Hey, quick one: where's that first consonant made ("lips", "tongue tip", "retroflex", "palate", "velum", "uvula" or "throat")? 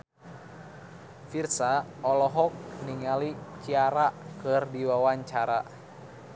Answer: lips